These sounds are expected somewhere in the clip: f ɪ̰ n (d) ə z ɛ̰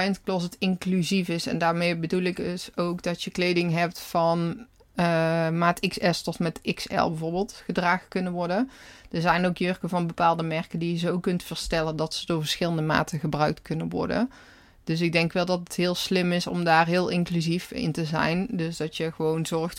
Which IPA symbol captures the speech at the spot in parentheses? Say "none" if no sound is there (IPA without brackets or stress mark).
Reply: t